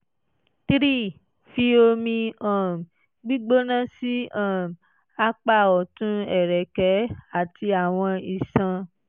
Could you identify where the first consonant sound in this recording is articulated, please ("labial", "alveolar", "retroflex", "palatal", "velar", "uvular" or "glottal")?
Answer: alveolar